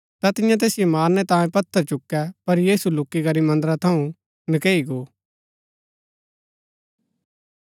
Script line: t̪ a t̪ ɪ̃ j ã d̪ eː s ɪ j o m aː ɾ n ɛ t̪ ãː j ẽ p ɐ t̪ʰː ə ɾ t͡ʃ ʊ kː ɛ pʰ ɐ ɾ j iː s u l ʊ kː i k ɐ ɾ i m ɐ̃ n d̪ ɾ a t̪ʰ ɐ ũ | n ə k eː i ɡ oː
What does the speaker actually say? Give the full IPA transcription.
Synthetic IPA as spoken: t̪ a t̪ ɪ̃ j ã t̪ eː s ɪ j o m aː ɾ n ɛ t̪ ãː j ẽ p ɐ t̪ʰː ə ɾ t͡ʃ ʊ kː ɛ p ɐ ɾ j iː s u l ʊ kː i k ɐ ɾ i m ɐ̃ n d̪ ɾ a t̪ʰ ɐ ũ | n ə k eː i ɡ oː